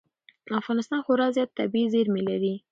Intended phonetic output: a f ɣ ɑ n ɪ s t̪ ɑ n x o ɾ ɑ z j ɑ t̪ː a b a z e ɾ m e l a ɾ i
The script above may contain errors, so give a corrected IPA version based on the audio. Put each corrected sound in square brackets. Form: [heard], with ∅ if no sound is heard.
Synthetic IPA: a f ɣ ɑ n ɪ s t̪ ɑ n x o ɾ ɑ z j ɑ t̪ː a b [i] z e ɾ m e l a ɾ i